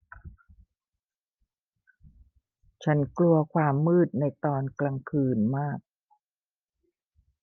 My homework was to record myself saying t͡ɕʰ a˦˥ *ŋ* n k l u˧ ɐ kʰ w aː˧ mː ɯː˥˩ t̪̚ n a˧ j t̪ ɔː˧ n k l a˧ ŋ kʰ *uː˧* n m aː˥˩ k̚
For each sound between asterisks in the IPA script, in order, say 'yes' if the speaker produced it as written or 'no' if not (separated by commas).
no, no